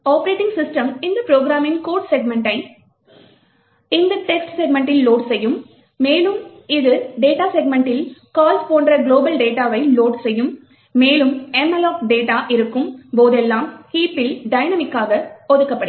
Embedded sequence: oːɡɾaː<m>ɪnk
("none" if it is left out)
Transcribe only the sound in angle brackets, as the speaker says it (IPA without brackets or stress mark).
m